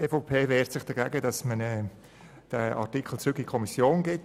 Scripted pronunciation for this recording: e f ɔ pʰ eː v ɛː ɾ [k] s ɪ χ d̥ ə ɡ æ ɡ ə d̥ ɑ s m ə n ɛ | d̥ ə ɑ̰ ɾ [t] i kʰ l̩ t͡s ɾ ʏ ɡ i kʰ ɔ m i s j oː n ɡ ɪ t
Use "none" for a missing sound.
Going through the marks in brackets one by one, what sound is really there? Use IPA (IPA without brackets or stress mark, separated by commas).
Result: t, t